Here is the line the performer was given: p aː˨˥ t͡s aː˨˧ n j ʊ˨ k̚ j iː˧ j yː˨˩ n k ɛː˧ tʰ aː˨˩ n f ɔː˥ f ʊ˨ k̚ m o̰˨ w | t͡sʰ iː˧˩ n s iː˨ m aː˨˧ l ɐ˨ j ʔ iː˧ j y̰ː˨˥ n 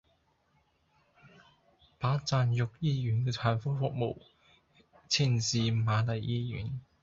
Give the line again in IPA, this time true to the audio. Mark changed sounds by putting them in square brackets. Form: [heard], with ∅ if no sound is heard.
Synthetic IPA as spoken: p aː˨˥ t͡s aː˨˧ n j ʊ˨ k̚ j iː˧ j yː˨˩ n k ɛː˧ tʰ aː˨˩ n f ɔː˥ f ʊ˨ k̚ m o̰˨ w | t͡sʰ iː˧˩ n s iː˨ m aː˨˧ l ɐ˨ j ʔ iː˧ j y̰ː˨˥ n